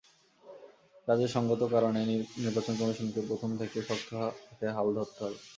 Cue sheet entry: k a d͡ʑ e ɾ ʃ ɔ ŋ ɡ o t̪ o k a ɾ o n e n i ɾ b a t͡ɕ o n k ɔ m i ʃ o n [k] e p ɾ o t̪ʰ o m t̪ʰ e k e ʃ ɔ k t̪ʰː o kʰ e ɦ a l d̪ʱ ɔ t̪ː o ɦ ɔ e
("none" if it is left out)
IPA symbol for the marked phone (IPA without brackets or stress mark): k